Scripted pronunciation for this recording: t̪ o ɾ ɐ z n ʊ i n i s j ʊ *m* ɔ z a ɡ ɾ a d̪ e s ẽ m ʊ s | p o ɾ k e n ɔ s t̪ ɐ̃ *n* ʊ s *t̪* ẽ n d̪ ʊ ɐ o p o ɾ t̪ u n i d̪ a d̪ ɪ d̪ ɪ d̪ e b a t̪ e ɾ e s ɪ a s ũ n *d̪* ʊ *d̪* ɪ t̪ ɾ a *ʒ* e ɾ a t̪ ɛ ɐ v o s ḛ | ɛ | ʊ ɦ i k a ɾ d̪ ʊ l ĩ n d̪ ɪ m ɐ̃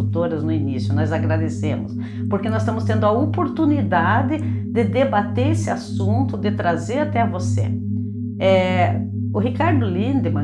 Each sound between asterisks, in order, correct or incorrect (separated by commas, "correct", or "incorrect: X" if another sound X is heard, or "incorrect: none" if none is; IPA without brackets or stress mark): incorrect: n, incorrect: m, correct, incorrect: t̪, correct, incorrect: z